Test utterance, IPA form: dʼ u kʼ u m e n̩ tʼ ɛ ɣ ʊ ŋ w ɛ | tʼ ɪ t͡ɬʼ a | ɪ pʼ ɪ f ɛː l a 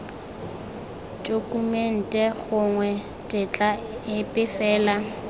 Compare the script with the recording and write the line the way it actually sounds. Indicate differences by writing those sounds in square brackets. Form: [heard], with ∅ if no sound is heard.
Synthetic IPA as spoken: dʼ [o] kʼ u m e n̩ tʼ ɛ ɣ ʊ ŋ w ɛ | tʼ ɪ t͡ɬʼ a | ɪ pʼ ɪ f ɛː l a